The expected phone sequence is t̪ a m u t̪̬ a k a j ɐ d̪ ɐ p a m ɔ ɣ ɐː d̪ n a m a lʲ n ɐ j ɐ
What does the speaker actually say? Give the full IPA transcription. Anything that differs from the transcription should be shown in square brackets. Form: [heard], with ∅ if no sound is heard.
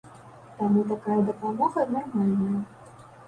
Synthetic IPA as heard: t̪ a m u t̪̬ a k a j ɐ d̪ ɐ p a m ɔ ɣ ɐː d̪ n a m a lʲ n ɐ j ɐ